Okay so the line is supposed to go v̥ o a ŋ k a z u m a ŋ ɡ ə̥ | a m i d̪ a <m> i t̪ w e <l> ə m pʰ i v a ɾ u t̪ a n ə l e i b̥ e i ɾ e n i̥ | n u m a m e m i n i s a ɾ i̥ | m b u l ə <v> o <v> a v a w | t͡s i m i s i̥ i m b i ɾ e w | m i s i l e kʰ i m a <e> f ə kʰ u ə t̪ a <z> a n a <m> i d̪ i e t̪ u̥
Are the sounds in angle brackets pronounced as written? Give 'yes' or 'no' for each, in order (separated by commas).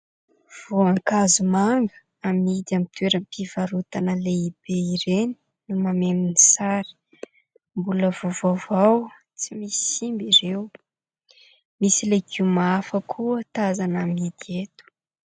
yes, no, yes, yes, no, yes, yes